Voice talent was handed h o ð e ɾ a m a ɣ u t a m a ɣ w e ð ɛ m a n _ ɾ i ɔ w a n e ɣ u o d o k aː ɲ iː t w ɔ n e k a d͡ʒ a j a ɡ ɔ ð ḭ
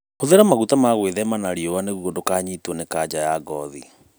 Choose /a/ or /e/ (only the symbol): a